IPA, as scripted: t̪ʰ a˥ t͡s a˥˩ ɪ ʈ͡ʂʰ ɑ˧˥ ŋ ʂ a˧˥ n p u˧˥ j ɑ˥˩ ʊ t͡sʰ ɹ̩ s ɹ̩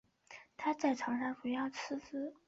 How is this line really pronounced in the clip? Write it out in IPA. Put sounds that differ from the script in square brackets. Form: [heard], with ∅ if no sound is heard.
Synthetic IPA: t̪ʰ a˥ t͡s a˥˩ ɪ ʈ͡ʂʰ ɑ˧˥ ŋ ʂ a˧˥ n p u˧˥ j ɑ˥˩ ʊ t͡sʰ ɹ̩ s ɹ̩